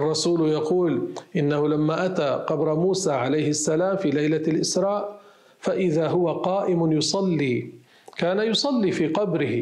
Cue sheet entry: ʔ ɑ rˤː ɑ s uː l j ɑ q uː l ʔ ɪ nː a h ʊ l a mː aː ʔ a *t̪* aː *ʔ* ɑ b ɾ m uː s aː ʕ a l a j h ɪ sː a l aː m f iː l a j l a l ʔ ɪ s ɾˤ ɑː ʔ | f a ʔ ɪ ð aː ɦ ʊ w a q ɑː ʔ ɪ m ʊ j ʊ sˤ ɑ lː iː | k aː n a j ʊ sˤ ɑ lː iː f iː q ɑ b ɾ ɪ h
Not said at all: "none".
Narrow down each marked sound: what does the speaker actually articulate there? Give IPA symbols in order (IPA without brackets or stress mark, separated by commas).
t̪, q